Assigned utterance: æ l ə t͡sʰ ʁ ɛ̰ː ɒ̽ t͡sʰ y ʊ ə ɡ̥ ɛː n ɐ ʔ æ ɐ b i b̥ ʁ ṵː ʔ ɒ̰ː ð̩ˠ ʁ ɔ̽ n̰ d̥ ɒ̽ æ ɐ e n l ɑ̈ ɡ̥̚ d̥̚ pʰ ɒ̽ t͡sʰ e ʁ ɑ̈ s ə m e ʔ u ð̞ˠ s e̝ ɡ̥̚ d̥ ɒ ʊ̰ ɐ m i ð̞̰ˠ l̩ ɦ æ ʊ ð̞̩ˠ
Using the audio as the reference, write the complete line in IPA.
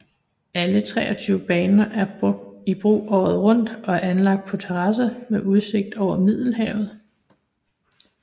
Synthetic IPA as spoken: æ l ə t͡sʰ ʁ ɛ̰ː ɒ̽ t͡sʰ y ʊ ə b̥ ɛː n ɐ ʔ æ ɐ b i b̥ ʁ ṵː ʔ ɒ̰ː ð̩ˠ ʁ ɔ̽ n̰ d̥ ɒ̽ æ ɐ æ n l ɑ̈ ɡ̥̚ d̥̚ pʰ ɒ̽ t͡sʰ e ʁ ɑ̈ s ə m e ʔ u ð̞ˠ s e̝ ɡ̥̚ d̥ ɒ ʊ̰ ɐ m i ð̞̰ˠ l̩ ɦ ɛ ʊ ð̞̩ˠ